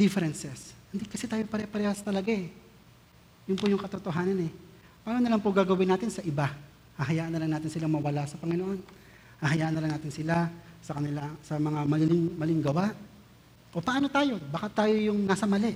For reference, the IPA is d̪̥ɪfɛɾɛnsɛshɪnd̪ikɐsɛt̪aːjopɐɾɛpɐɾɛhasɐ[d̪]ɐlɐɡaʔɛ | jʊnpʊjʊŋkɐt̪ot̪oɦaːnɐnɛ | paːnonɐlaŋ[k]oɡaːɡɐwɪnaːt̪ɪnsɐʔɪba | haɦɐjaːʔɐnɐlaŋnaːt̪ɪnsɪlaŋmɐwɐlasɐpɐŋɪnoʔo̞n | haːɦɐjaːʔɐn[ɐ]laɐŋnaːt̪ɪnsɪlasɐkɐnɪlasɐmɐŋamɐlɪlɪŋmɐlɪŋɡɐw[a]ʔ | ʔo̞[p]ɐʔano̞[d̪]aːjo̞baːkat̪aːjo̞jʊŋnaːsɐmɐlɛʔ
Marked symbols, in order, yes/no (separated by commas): no, no, yes, yes, yes, no